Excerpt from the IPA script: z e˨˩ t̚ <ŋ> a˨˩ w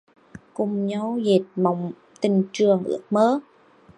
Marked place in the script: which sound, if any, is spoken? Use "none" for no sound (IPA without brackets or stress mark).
m